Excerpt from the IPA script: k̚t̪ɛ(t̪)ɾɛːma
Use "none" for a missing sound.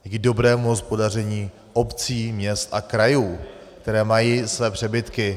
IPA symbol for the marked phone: none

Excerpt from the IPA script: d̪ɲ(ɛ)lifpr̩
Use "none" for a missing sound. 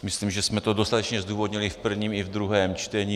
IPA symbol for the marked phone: i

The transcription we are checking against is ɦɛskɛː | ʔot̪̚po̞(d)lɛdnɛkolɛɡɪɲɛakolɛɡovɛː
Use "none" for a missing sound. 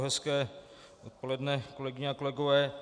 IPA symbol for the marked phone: none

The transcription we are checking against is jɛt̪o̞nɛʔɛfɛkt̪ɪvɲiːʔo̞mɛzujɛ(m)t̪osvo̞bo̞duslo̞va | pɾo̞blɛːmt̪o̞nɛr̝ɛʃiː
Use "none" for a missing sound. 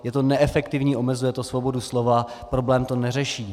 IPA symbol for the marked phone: none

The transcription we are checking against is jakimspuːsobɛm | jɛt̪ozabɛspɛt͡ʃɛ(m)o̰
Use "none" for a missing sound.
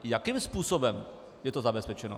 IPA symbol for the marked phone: n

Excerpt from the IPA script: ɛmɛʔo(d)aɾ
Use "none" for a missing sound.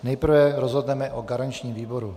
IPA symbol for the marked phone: ɡ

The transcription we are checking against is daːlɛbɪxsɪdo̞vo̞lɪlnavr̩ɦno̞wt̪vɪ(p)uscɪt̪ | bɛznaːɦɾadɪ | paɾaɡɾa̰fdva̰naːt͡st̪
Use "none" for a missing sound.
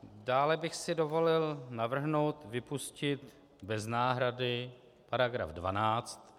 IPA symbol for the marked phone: p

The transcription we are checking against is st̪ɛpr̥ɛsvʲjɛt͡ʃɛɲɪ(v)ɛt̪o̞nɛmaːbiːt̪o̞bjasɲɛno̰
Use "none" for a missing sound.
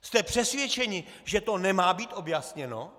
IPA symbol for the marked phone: ʒ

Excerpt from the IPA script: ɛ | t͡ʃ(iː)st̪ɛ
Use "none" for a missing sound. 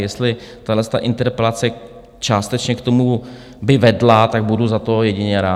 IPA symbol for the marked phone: aː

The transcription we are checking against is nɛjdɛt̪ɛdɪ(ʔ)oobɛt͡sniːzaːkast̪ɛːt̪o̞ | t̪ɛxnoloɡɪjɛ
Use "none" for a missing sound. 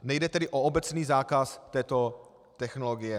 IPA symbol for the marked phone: ʔ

